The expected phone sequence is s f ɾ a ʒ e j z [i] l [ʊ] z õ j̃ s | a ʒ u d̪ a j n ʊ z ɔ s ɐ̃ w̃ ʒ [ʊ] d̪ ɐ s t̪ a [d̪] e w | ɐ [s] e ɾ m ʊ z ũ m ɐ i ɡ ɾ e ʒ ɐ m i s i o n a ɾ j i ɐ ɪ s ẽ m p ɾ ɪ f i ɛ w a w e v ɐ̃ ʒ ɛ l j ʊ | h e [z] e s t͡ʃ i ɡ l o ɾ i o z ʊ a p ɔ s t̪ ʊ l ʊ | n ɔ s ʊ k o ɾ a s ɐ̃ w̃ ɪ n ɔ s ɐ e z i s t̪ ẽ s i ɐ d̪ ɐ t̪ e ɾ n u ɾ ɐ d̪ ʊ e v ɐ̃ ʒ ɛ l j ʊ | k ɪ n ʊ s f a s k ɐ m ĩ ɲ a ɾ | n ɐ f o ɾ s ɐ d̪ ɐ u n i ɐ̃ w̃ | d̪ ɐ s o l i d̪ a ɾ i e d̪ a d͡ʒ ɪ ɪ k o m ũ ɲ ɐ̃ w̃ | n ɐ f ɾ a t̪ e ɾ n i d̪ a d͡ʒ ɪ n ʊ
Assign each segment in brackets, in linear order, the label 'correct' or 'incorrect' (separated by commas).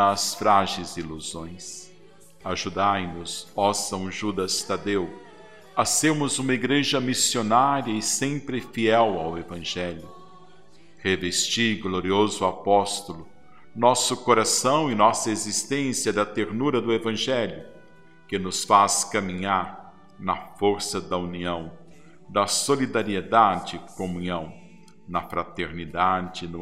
correct, incorrect, incorrect, correct, correct, incorrect